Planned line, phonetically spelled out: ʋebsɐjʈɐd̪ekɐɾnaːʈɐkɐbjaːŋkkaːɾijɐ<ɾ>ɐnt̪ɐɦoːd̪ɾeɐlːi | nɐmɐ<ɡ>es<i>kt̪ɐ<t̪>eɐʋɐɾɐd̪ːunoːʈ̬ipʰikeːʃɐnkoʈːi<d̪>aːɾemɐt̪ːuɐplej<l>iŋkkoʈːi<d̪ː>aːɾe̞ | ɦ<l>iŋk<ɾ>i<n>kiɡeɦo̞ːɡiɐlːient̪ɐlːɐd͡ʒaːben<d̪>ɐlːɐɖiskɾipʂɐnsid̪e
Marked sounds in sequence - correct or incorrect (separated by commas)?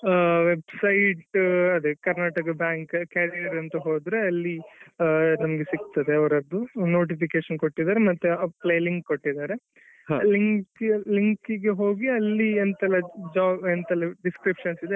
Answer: correct, correct, correct, incorrect, correct, correct, incorrect, correct, incorrect, incorrect, incorrect